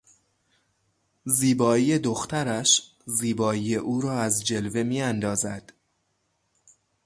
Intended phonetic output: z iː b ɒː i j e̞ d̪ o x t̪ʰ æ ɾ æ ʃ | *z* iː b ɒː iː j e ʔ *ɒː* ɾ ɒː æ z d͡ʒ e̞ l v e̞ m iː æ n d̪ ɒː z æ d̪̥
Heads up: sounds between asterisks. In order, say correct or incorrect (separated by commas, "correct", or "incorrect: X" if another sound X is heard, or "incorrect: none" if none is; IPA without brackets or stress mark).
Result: correct, incorrect: uː